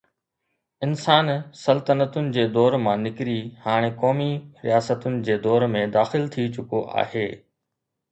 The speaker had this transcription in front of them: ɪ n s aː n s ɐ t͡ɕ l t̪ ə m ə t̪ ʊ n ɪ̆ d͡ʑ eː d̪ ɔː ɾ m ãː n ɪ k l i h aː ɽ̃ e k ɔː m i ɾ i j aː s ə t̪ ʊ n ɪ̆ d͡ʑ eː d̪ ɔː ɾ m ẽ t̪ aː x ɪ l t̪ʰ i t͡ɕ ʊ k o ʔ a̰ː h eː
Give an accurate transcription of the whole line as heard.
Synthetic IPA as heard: ɪ n s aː n s ɐ l t̪ ə n ə t̪ ʊ n ɪ̆ d͡ʑ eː d̪ ɔː ɾ m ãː n ɪ k ɾ i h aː ɽ̃ e k ɔː m i ɾ i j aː s ə t̪ ʊ n ɪ̆ d͡ʑ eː d̪ ɔː ɾ m ẽ d̪ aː x ɪ l t̪ʰ i t͡ɕ ʊ k o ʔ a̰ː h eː